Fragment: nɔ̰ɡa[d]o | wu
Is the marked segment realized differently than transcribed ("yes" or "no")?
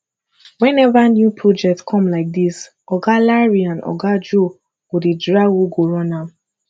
yes